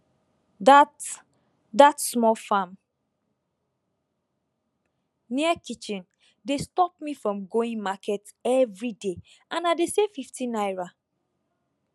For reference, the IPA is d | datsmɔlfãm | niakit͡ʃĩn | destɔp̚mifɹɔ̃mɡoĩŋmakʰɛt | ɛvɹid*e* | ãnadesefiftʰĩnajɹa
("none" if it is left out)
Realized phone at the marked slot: e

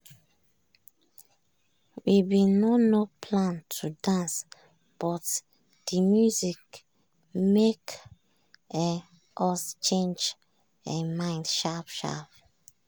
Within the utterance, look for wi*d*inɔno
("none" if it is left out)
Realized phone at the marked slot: b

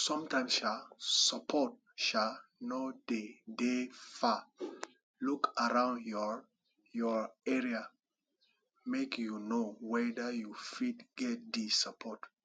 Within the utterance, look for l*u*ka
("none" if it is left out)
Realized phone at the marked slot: u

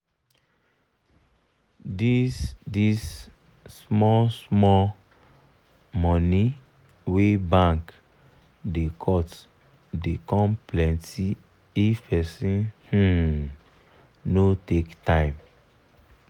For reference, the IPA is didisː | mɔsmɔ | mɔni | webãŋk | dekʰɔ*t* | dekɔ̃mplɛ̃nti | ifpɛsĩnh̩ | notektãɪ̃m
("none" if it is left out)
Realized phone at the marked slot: t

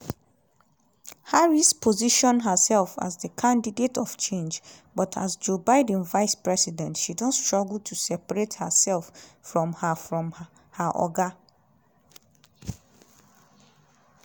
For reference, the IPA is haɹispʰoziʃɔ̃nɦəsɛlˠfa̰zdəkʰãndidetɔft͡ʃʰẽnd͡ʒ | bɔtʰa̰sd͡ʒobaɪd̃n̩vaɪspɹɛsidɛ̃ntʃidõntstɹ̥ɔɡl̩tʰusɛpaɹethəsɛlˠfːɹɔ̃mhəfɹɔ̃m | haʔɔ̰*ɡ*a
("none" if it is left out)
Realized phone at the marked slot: ɡ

